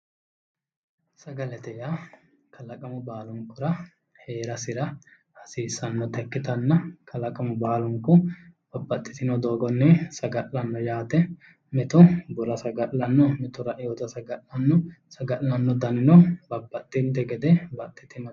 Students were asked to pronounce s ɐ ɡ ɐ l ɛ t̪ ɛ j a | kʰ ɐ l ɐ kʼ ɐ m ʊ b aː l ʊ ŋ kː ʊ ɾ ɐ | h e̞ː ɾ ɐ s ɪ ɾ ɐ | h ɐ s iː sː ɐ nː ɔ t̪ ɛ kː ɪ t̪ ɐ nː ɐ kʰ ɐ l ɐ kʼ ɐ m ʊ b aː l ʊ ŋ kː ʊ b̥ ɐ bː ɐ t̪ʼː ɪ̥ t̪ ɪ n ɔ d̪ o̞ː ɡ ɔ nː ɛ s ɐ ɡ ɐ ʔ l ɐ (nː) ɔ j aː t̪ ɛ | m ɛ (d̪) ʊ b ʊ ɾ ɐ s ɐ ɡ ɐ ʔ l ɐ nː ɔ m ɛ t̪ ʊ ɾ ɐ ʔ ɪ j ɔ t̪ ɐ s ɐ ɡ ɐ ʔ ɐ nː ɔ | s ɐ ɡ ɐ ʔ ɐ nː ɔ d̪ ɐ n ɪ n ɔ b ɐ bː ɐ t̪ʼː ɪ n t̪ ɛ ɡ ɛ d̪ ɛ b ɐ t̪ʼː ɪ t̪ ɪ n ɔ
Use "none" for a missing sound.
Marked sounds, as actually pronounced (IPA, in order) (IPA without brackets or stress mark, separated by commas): nː, t̪